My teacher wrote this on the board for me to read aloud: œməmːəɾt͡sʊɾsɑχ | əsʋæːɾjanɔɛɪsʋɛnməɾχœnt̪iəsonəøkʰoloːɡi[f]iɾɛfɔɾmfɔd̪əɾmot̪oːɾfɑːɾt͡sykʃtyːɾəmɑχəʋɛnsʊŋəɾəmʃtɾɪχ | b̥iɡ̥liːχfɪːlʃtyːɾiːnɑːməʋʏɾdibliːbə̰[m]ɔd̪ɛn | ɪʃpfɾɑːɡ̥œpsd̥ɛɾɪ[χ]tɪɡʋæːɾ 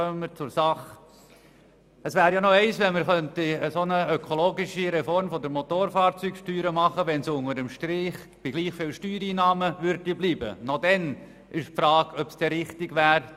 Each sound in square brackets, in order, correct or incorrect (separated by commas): incorrect, incorrect, correct